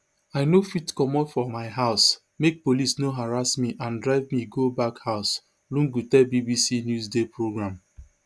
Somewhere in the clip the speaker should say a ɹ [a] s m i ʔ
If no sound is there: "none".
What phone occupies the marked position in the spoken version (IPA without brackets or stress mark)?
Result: a